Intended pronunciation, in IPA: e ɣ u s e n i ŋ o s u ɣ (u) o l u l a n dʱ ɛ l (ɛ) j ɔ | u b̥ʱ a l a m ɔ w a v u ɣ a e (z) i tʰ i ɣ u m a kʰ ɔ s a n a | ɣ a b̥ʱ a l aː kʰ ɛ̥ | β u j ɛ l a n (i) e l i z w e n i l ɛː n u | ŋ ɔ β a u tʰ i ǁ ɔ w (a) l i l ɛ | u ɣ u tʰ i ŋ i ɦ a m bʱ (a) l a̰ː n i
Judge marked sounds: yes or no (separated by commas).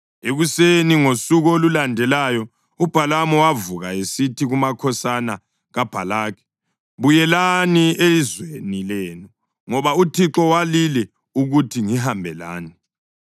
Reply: no, no, no, yes, yes, no